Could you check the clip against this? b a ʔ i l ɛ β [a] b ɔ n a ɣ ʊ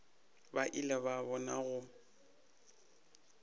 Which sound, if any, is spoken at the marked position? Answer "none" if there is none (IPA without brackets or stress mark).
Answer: a